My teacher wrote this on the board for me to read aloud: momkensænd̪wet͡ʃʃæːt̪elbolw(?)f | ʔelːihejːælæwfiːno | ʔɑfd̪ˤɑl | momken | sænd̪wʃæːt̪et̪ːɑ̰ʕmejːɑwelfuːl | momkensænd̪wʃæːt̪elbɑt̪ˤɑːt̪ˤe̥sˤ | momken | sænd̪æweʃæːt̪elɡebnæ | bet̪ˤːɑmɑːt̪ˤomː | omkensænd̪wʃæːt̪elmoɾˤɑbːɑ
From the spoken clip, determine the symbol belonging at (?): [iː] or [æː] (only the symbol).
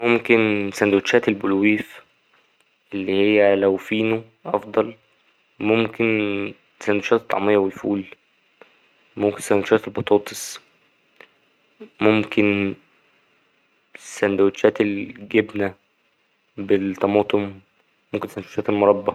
iː